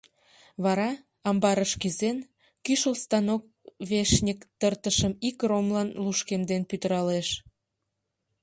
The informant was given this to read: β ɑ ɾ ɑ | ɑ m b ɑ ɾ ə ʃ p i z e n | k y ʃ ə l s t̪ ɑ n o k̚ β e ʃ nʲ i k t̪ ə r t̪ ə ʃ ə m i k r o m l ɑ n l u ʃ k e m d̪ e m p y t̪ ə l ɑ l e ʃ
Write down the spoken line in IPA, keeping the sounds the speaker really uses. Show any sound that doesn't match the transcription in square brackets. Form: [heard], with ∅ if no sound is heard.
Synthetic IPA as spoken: β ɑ ɾ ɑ | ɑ m b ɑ ɾ ə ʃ [k] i z e n | k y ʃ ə l s t̪ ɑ n o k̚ β e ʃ nʲ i k t̪ ə r t̪ ə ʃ ə m i k r o m l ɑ n l u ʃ k e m d̪ e [n] p y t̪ ə [ɾ] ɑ l e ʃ